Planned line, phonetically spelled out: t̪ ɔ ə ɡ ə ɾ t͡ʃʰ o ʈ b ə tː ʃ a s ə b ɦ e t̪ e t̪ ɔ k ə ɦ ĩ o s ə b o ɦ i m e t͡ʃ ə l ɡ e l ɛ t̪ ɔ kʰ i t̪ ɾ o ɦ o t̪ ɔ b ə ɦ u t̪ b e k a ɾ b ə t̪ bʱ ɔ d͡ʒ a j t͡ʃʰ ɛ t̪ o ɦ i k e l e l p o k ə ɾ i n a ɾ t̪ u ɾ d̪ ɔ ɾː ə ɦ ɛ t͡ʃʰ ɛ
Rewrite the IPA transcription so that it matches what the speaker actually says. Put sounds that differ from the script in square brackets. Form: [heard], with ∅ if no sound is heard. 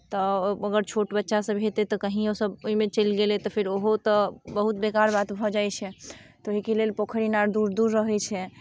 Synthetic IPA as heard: t̪ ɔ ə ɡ ə ɾ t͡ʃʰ o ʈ b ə tː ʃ a s ə b ɦ e t̪ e t̪ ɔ k ə ɦ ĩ o s ə b o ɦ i m e t͡ʃ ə l ɡ e l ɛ t̪ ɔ [pʰ] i [∅] ɾ o ɦ o t̪ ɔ b ə ɦ u t̪ b e k a ɾ b [a] t̪ bʱ ɔ d͡ʒ a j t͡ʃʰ ɛ t̪ o ɦ i k e l e l p o [kʰ] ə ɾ i n a ɾ [d̪] u ɾ d̪ [u] ɾː ə ɦ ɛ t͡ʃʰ ɛ

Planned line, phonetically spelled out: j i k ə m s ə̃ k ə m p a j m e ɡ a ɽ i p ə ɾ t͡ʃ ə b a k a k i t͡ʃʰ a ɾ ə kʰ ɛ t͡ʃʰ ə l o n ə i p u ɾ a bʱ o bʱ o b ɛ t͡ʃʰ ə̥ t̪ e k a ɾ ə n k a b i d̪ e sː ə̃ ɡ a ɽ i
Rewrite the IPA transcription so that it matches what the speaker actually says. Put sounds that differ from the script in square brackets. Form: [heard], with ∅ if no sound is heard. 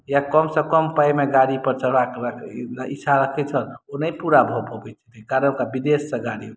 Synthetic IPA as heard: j [a] k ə m s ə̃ k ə m p a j m e ɡ a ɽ i p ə ɾ t͡ʃ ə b a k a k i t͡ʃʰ a ɾ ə kʰ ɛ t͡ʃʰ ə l o n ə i p u ɾ a bʱ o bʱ o b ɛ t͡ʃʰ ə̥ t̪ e k a ɾ ə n k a b i d̪ e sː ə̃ ɡ a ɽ i

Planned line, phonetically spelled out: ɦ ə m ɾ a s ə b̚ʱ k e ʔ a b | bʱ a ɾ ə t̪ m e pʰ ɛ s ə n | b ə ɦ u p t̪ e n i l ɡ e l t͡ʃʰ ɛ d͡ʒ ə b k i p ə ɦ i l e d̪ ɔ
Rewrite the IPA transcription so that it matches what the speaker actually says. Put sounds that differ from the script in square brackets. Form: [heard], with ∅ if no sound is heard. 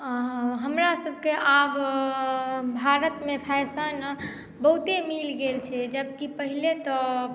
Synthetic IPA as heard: ɦ ə m ɾ a s ə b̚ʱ k e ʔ a b | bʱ a ɾ ə t̪ m e pʰ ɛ s ə n | b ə ɦ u [∅] t̪ e [m] i l ɡ e l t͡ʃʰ ɛ d͡ʒ ə b k i p ə ɦ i l e [t̪] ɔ

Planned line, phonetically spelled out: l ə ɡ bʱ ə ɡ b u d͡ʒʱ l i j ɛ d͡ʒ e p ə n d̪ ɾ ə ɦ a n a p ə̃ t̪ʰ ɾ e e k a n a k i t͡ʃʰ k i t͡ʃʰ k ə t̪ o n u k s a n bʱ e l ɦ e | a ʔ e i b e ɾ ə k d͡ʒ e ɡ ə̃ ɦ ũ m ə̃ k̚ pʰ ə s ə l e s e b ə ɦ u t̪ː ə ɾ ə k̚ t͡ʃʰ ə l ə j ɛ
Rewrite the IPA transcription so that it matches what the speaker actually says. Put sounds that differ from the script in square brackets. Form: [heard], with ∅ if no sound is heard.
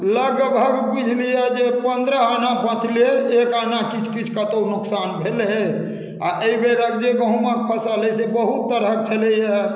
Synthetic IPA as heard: l ə ɡ bʱ ə ɡ b u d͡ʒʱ l i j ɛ d͡ʒ e p ə n d̪ ɾ ə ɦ a n a p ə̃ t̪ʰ [l] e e k a n a k i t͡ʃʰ k i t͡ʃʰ k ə t̪ o n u k s a n bʱ e l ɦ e | a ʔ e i b e ɾ ə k d͡ʒ e ɡ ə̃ ɦ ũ m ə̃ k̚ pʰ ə s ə l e s e b ə ɦ u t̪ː ə ɾ ə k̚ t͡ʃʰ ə l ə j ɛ

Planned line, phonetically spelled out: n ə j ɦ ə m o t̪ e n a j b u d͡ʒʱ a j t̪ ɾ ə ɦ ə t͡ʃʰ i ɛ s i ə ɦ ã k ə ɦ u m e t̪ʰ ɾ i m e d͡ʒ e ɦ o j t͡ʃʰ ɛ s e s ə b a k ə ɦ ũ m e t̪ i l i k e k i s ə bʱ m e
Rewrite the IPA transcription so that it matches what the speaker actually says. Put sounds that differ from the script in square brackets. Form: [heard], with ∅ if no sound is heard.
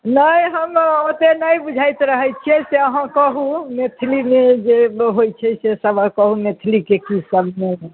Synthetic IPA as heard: n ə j ɦ ə m o t̪ e n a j b u d͡ʒʱ a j t̪ ɾ ə ɦ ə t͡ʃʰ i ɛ s [e] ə ɦ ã k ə ɦ u m e t̪ʰ [l] i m e d͡ʒ e ɦ o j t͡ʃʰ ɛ s e s ə b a k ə ɦ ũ m e [t̪ʰ] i l i k e k i s ə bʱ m e

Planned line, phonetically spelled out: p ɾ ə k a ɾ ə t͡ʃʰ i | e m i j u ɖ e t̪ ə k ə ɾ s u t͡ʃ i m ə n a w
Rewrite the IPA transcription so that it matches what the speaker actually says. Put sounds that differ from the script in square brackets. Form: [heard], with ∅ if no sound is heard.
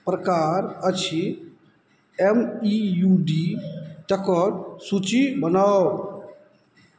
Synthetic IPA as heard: p ɾ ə k a ɾ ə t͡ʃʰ i | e m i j u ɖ [i] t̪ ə k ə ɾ s u t͡ʃ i [b] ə n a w

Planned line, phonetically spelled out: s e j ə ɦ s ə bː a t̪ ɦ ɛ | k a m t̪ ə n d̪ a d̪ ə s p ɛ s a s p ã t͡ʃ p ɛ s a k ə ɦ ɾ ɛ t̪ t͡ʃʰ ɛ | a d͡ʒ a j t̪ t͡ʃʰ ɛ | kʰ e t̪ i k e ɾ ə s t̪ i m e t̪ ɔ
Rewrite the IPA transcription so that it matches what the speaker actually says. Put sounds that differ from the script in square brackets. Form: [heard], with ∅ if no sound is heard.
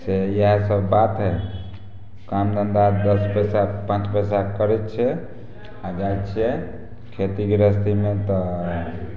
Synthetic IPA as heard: s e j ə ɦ s ə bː a t̪ ɦ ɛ | k a m [d̪] ə n d̪ a d̪ ə s p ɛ s a [∅] p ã t͡ʃ p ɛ s a k ə [∅] ɾ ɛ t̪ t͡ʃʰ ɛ | a d͡ʒ a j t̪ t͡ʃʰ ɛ | kʰ e t̪ i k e ɾ ə s t̪ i m e t̪ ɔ

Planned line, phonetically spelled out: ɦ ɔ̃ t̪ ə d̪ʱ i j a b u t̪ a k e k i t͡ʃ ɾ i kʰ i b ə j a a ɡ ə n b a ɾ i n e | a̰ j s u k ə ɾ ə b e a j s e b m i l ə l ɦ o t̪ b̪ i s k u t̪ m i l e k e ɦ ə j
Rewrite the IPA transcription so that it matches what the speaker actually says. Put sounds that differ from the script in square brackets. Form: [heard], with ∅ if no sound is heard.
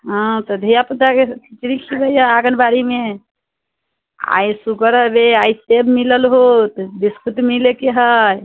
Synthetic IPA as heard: ɦ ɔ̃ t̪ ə d̪ʱ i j a [p] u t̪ a k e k i t͡ʃ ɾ i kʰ i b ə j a a ɡ ə n b a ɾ i [m] e | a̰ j s u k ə ɾ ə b e a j s e b m i l ə l ɦ o t̪ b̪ i s k u t̪ m i l e k e ɦ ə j

